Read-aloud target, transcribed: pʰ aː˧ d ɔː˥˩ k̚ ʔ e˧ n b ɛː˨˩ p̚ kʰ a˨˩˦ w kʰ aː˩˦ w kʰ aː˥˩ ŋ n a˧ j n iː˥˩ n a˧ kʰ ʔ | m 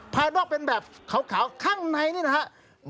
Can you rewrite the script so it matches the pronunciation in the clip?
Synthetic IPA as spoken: pʰ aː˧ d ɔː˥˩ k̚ p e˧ n b ɛː˨˩ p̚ kʰ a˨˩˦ w kʰ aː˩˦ w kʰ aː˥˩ ŋ n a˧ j n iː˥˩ n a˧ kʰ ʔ | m